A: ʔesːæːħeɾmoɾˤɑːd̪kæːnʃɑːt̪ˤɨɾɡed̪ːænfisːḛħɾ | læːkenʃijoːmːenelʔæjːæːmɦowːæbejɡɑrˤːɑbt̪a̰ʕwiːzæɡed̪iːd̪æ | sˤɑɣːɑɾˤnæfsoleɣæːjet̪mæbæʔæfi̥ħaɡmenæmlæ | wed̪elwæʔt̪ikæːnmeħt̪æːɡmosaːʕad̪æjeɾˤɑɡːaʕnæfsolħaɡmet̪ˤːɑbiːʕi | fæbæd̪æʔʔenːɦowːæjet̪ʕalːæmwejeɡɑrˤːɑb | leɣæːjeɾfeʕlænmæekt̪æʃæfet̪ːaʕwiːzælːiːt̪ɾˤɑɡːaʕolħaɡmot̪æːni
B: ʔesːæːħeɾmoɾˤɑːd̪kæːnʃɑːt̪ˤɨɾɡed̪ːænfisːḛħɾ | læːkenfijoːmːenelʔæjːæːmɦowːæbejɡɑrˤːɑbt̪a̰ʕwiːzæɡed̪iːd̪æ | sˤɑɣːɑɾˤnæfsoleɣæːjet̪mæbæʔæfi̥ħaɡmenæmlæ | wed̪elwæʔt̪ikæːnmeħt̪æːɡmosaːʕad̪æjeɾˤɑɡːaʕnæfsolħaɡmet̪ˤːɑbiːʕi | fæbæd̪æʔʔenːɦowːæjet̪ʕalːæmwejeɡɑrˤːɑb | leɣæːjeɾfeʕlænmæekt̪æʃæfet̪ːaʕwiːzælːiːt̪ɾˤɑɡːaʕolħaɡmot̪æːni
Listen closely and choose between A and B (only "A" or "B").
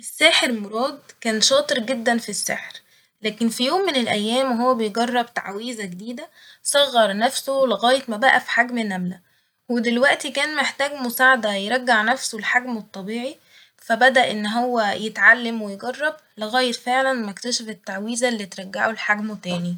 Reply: B